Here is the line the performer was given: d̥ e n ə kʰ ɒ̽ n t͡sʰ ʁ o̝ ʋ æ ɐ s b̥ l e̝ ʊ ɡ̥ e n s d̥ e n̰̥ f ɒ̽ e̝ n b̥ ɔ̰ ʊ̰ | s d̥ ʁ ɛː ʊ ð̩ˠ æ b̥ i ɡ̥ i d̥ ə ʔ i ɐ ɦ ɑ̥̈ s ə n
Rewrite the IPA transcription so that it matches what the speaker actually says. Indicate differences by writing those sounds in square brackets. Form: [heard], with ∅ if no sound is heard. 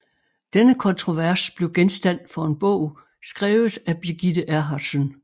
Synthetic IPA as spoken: d̥ e n ə kʰ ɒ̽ n t͡sʰ ʁ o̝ ʋ æ ɐ s b̥ l e̝ ʊ ɡ̥ e n s d̥ [æ] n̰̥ f ɒ̽ e̝ n b̥ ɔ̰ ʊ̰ | s [ɡ̥] ʁ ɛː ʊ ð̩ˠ æ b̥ i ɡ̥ i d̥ ə ʔ [æ] ɐ ɦ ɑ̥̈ s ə n